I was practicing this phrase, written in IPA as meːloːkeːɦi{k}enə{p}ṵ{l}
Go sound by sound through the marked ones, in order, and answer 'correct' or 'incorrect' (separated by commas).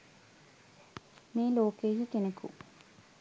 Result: correct, incorrect, incorrect